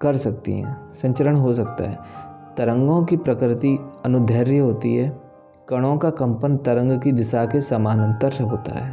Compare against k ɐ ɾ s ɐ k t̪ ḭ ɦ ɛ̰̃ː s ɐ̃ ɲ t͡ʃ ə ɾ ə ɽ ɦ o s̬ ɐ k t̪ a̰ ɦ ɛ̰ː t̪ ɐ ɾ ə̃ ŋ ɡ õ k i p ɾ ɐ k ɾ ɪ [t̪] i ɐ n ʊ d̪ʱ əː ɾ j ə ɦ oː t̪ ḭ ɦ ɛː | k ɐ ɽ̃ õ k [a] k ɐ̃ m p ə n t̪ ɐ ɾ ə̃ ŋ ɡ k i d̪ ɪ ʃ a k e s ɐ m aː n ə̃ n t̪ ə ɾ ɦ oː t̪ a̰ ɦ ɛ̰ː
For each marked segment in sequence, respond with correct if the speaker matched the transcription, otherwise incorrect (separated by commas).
correct, correct